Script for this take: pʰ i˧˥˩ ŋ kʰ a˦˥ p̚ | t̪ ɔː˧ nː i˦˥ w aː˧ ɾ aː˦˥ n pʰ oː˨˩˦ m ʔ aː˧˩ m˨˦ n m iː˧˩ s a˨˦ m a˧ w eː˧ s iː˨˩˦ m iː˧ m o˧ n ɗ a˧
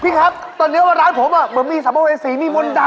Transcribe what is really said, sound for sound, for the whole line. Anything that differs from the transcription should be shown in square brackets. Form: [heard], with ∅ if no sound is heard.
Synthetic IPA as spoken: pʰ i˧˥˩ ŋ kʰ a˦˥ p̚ | t̪ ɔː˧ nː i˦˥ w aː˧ ɾ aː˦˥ n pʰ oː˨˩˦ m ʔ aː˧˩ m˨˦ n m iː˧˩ s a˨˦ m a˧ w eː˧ s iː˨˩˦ m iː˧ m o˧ n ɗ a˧